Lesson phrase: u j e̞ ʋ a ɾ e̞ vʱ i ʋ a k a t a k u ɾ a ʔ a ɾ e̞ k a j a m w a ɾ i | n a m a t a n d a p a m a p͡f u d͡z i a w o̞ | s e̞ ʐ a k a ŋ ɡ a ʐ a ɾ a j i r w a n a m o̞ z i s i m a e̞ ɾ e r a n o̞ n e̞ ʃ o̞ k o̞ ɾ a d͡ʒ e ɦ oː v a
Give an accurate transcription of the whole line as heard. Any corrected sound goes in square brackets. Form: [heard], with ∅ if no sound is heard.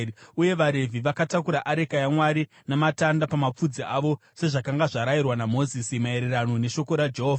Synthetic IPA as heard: u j e̞ ʋ a ɾ e̞ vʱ i ʋ a k a t a k u ɾ a ʔ a ɾ e̞ k a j a m w a ɾ i | n a m a t a n d a p a m a p͡f u d͡z i a [ʋ] o̞ | s e̞ ʐ a k a ŋ ɡ a ʐ a ɾ a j i r w a n a m o̞ z i s i m a e̞ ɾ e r a n o̞ n e̞ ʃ o̞ k o̞ ɾ a d͡ʒ e ɦ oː v a